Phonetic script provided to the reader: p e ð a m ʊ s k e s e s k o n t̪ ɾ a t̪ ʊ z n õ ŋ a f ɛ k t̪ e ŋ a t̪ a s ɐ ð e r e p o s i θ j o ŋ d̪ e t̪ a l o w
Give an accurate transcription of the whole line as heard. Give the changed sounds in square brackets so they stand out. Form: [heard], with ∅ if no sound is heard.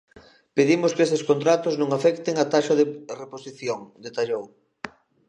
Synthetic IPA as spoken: p e ð [i] m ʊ s k e s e s k o n t̪ ɾ a t̪ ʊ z n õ ŋ a f ɛ k t̪ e ŋ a t̪ a [ʃ] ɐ ð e r e p o s i θ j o ŋ d̪ e t̪ a [ʎ] o w